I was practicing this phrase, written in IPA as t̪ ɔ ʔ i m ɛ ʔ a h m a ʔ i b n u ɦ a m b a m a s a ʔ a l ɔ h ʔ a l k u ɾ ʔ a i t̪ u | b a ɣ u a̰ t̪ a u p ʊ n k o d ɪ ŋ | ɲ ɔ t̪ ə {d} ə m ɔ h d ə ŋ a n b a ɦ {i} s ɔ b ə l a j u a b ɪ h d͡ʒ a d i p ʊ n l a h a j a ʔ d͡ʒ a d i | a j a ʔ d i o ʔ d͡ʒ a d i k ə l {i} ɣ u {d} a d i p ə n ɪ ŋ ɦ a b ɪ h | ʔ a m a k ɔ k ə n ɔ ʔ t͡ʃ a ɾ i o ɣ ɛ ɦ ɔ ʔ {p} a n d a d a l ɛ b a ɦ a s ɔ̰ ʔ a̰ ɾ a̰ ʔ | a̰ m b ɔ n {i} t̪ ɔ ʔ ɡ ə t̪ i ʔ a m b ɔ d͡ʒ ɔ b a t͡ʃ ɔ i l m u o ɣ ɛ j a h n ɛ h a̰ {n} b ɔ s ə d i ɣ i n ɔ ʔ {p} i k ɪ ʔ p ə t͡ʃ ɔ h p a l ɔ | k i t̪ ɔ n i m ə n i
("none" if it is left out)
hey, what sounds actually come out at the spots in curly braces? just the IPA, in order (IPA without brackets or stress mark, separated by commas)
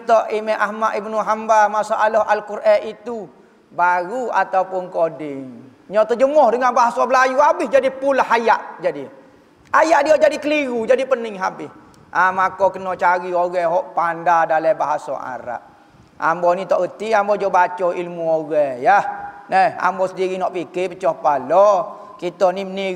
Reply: d͡ʒ, a, i, d͡ʒ, p, i, m, p